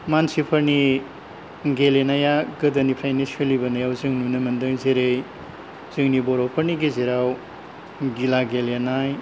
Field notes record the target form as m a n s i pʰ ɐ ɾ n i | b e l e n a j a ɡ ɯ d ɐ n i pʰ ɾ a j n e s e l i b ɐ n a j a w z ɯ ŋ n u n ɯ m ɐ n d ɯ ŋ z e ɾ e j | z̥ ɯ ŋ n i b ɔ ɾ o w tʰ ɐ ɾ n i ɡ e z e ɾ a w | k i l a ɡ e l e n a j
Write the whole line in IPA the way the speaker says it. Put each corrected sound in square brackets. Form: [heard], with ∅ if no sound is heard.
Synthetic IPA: m a n s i pʰ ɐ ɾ n i | [ɡ] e l e n a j a ɡ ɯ d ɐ n i pʰ ɾ a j n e s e l i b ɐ n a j a w z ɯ ŋ n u n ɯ m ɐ n d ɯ ŋ z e ɾ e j | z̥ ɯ ŋ n i b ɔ ɾ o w [pʰ] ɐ ɾ n i ɡ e z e ɾ a w | [ɡ] i l a ɡ e l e n a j